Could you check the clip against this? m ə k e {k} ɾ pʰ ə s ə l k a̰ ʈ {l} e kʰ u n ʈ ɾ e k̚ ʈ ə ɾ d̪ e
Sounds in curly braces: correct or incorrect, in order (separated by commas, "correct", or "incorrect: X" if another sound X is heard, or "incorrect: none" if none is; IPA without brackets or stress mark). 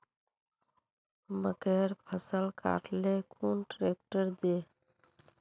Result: incorrect: none, correct